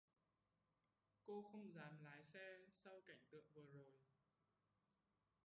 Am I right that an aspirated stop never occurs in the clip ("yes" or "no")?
yes